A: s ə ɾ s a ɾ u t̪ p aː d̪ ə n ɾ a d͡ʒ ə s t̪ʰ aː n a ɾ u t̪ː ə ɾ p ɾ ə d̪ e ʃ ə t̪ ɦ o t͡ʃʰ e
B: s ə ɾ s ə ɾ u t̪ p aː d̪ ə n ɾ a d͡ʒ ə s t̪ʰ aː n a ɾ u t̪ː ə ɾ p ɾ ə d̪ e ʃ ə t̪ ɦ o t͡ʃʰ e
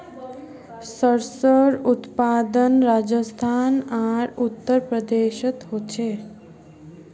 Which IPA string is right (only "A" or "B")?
B